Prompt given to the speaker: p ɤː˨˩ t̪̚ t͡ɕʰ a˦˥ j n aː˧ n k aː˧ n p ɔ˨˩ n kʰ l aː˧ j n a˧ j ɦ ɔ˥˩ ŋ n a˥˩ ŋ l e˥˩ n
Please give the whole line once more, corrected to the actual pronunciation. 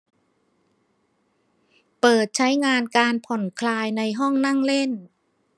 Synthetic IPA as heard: p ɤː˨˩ t̪̚ t͡ɕʰ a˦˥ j ŋ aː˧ n k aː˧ n pʰ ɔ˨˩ n kʰ l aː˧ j n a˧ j ɦ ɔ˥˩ ŋ n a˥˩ ŋ l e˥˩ n